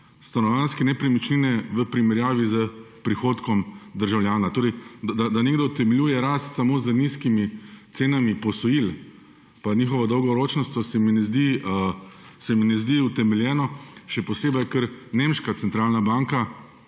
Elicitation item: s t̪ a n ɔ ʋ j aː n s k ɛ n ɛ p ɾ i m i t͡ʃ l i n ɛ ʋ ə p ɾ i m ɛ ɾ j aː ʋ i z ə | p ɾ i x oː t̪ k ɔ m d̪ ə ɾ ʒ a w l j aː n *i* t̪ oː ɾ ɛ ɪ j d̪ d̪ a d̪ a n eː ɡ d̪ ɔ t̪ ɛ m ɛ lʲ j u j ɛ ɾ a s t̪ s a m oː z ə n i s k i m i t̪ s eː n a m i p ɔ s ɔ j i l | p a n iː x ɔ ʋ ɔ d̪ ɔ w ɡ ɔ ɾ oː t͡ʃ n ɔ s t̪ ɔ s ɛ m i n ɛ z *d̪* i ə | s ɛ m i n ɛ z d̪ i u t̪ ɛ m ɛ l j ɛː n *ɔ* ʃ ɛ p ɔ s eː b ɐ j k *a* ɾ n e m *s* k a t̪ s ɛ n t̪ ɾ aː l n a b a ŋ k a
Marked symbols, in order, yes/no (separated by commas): no, yes, yes, no, no